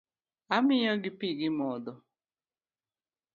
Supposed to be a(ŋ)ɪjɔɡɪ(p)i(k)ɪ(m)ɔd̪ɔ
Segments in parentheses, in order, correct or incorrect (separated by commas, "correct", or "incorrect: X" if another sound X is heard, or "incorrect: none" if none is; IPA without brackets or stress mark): incorrect: m, correct, incorrect: ɡ, correct